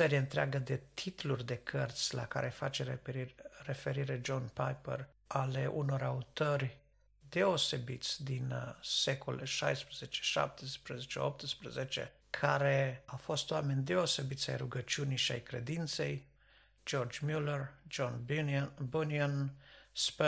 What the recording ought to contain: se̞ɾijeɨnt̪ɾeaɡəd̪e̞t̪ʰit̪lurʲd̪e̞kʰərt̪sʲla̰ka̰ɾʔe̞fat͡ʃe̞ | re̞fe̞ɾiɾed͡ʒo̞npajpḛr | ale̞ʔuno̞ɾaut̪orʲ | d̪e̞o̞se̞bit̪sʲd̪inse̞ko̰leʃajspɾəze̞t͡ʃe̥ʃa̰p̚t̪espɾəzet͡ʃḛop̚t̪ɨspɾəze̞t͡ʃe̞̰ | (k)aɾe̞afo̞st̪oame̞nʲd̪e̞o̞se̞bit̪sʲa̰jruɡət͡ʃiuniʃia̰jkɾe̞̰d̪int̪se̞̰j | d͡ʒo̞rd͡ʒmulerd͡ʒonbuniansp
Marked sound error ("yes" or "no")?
yes